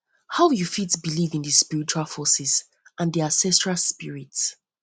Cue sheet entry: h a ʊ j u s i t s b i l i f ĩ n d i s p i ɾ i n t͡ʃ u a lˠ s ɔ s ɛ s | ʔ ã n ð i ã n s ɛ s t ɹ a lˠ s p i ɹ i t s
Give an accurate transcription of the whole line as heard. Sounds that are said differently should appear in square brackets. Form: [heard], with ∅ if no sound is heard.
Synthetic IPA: h a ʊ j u [f] i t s b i l i [v] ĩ n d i s p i [ɹ] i [∅] t͡ʃ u a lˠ [f] ɔ s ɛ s | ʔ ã n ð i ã n s ɛ s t ɹ a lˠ s p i ɹ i t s